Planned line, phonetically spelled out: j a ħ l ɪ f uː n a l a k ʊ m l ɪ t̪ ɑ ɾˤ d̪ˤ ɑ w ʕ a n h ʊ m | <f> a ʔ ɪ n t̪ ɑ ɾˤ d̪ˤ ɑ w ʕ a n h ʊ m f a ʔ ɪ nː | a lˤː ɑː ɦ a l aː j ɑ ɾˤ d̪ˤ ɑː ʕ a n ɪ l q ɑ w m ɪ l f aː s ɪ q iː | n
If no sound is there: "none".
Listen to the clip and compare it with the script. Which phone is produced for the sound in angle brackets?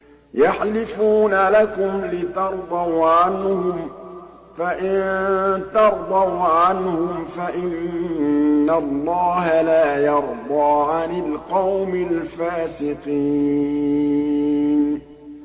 f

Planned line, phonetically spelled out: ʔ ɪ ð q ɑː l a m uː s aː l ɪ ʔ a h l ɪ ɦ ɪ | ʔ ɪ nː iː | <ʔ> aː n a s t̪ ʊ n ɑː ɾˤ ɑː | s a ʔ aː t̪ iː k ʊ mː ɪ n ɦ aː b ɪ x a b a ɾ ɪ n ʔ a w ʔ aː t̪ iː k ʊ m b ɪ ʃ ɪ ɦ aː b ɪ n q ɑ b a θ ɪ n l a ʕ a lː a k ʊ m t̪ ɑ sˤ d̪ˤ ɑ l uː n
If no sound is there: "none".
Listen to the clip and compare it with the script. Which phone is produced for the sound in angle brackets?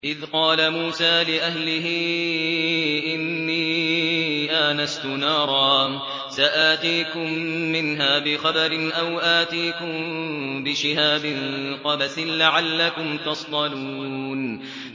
ʔ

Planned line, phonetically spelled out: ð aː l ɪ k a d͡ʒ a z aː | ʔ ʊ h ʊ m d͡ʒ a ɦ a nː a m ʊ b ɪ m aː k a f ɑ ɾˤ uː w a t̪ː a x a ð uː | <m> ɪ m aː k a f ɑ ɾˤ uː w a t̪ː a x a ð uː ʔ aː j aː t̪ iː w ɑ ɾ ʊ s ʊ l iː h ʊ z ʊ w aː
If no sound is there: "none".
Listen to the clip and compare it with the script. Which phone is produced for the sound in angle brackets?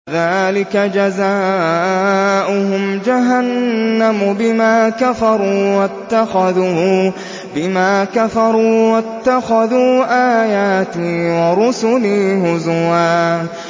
b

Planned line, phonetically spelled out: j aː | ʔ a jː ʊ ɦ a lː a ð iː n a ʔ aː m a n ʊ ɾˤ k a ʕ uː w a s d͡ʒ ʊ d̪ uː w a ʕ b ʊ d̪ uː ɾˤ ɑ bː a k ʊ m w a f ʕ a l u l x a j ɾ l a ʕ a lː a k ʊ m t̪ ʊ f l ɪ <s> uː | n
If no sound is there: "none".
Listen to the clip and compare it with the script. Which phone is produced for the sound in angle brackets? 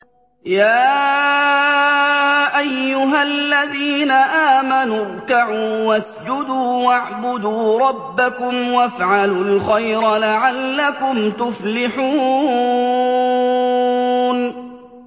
ħ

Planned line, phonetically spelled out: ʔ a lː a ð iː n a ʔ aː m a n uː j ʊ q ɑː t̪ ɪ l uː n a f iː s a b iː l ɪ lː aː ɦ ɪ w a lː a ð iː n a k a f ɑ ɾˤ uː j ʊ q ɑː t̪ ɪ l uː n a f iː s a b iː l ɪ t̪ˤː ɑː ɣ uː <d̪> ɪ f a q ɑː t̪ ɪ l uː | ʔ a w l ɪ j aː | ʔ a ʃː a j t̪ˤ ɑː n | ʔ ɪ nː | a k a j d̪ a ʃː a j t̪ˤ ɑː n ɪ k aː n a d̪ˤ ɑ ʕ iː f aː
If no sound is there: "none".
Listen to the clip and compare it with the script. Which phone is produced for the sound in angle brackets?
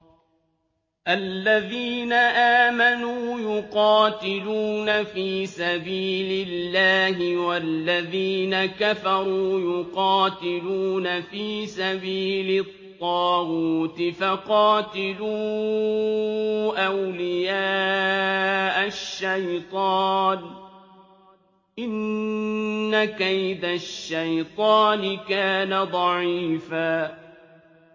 t̪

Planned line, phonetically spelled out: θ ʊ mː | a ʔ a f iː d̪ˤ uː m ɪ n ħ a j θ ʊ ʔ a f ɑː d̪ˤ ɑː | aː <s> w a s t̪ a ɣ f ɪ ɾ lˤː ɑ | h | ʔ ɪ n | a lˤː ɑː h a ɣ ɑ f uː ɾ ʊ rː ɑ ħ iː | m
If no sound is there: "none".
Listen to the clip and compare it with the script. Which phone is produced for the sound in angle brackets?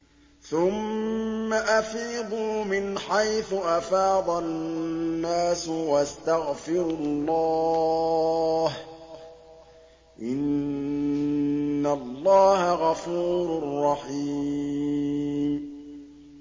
s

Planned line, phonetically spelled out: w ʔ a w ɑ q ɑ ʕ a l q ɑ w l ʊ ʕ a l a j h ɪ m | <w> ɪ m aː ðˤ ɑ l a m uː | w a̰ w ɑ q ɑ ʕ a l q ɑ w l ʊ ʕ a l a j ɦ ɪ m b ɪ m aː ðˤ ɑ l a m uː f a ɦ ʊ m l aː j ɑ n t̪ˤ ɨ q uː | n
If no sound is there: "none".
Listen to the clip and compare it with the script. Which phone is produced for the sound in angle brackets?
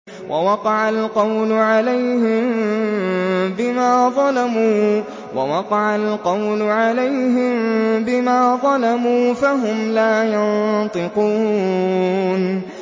b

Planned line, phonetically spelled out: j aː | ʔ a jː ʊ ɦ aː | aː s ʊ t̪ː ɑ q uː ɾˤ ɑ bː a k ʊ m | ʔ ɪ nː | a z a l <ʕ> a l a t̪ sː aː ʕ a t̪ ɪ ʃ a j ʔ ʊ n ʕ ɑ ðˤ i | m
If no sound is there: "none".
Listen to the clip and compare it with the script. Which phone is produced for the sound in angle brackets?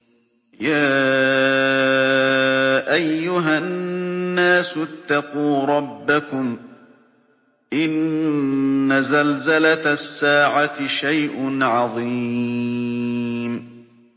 z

